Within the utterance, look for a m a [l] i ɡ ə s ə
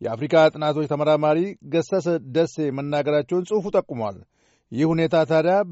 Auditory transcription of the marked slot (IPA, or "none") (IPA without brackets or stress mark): ɾ